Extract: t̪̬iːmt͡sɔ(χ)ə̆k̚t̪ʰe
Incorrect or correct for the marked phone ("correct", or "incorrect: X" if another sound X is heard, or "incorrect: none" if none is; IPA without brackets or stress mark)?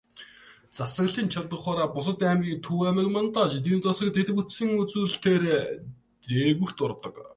incorrect: s